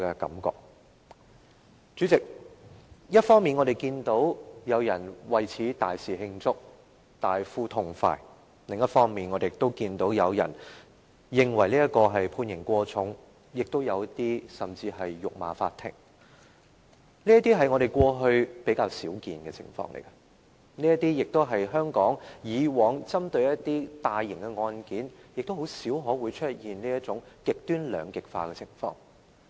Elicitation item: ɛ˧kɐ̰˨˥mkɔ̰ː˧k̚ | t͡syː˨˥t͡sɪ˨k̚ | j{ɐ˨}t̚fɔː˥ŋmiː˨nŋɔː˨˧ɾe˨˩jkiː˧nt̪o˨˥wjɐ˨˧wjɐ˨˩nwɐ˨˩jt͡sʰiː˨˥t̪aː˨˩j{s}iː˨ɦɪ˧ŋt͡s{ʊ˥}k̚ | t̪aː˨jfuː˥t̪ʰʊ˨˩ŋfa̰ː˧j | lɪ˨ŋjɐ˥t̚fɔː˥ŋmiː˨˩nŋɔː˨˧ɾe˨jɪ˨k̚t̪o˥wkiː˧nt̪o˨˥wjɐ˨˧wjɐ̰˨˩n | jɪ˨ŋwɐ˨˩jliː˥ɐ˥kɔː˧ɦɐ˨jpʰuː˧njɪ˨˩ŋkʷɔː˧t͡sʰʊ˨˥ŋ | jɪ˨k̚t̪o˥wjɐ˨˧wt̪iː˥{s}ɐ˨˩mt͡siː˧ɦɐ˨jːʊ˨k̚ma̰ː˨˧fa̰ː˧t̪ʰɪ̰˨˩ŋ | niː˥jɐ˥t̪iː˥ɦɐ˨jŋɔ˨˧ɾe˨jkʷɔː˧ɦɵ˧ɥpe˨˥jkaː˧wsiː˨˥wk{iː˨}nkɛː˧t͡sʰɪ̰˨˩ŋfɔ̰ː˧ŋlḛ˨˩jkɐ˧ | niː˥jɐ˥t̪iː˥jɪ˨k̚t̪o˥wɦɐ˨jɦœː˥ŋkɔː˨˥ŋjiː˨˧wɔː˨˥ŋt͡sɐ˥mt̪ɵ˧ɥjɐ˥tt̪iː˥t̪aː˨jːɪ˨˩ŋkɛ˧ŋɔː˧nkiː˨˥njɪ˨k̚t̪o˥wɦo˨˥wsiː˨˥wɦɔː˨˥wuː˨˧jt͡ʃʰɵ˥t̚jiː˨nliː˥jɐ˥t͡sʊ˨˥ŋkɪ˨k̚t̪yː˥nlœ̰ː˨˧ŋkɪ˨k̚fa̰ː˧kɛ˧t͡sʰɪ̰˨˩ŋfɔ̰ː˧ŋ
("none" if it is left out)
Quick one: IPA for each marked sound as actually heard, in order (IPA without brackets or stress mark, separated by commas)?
ɐ˥, s, ʊ˥, s, iː˨